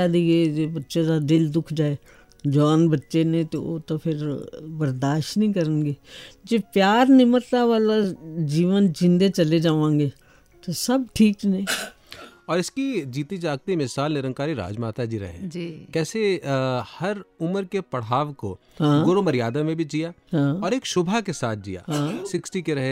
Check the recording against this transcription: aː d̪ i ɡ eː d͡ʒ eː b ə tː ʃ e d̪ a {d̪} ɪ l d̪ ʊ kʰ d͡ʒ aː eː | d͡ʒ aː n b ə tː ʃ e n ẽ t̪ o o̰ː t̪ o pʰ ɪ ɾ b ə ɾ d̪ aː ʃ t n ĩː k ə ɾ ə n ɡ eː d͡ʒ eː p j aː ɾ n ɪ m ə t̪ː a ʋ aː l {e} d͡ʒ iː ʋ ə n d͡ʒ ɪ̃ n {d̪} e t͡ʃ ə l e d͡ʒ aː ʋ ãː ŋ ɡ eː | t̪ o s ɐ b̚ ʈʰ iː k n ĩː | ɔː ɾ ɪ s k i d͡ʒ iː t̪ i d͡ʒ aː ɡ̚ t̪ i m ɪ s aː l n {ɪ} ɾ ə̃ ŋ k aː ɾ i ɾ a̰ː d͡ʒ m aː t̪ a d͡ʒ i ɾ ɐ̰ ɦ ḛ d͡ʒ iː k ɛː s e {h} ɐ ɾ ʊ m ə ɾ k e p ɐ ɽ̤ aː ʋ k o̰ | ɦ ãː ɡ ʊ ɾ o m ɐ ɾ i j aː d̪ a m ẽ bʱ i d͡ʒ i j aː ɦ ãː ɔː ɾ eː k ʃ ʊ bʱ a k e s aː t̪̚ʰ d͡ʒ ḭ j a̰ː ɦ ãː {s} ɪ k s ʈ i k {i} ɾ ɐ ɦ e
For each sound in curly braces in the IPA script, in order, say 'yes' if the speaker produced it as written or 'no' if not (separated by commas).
yes, no, yes, yes, yes, yes, no